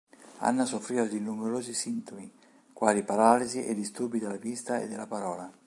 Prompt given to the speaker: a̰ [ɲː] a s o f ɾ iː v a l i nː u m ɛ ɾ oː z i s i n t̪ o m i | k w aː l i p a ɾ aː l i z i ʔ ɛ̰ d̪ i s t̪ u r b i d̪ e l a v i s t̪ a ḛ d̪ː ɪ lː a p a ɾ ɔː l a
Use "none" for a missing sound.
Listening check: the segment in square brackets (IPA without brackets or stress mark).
nː